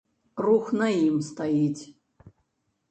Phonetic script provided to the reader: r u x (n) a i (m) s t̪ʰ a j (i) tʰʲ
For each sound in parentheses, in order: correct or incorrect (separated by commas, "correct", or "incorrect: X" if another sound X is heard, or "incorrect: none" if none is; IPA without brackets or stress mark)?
correct, correct, correct